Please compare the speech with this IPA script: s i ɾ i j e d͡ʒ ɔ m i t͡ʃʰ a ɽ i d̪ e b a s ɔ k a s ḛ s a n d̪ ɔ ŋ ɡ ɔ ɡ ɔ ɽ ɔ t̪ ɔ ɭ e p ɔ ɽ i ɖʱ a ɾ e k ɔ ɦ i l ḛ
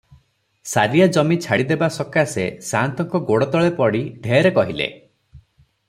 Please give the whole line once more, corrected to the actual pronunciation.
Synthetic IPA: s a ɾ i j a d͡ʒ ɔ m i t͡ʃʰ a ɽ i d̪ e b a s ɔ k a s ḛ s a n t̪ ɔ ŋ k ɔ ɡ o ɽ ɔ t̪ ɔ ɭ e p ɔ ɽ i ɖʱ e ɾ e k ɔ ɦ i l ḛ